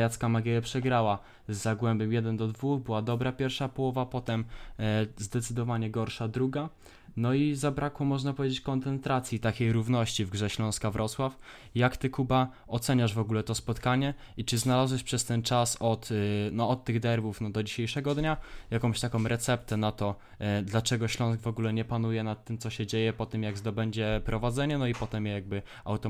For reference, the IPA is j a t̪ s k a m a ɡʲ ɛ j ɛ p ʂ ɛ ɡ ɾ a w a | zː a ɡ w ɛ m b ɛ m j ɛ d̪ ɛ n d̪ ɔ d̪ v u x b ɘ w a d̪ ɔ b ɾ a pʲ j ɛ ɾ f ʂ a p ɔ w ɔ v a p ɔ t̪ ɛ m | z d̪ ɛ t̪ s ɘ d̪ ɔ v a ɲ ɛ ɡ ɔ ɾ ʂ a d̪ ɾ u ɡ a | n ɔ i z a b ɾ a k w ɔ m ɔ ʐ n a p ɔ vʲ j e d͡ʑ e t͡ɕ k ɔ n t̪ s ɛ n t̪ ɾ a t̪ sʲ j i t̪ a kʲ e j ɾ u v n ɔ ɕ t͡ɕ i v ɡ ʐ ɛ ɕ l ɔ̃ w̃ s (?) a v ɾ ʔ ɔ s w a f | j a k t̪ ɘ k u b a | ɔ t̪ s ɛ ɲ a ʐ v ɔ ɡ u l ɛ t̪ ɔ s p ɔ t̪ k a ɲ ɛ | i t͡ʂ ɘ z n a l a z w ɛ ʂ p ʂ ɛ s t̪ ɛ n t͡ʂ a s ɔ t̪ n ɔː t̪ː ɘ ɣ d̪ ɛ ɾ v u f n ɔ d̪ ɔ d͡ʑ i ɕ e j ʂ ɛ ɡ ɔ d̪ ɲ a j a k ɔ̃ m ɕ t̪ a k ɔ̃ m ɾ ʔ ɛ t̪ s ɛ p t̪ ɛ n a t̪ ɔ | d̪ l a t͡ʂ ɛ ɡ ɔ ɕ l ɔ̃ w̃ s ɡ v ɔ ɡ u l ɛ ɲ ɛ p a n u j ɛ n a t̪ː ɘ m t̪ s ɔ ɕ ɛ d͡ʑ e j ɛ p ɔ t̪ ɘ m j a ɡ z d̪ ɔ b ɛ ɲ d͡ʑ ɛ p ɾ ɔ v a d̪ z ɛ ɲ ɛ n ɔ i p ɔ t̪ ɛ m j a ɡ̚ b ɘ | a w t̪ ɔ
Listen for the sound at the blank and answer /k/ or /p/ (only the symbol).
k